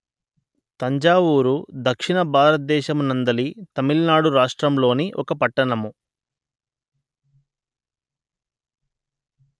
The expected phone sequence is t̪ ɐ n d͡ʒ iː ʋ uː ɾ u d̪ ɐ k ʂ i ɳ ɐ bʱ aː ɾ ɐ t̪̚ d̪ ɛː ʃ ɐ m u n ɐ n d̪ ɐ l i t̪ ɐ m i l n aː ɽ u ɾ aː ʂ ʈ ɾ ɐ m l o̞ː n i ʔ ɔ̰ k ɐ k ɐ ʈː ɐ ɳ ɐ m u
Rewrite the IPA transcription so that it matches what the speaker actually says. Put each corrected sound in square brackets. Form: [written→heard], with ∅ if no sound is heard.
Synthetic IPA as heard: t̪ ɐ [n→ɲ] d͡ʒ [iː→aː] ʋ uː ɾ u d̪ ɐ k ʂ i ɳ ɐ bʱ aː ɾ ɐ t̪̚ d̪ ɛː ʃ ɐ m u n ɐ n d̪ ɐ l i t̪ ɐ m i l n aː ɽ u ɾ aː ʂ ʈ ɾ ɐ m l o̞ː n i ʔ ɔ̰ k ɐ [k→p] ɐ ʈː ɐ ɳ ɐ m u